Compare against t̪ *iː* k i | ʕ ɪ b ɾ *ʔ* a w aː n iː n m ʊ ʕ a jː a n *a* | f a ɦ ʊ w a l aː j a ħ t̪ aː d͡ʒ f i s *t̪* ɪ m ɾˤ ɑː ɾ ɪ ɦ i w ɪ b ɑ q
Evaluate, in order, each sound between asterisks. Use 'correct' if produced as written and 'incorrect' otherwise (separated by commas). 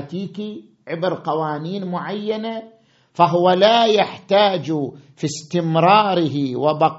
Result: correct, incorrect, correct, correct